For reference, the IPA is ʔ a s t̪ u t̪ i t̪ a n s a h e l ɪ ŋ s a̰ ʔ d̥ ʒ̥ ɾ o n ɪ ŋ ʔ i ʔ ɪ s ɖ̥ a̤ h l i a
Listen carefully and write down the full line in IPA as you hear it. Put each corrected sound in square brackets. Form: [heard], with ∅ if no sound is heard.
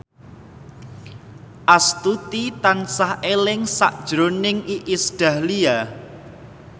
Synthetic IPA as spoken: ʔ a s t̪ u t̪ i t̪ a n s a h e l ɪ ŋ s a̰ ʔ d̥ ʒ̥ ɾ o n ɪ ŋ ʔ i ʔ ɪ s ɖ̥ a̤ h l i a